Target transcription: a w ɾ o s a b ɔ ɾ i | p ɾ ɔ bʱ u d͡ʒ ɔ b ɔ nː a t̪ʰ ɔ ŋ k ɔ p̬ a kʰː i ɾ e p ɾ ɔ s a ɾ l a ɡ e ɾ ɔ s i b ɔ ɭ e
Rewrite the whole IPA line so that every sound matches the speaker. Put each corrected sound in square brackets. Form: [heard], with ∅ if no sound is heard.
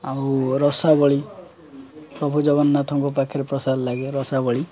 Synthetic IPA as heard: a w ɾ [ɔ] s a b ɔ [ɭ] i | p ɾ ɔ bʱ u d͡ʒ ɔ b ɔ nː a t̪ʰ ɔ ŋ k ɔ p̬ a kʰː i ɾ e p ɾ ɔ s a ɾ l a ɡ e ɾ ɔ s [a] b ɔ ɭ [i]